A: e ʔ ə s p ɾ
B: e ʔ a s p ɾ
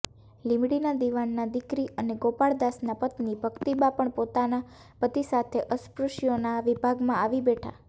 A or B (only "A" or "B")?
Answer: A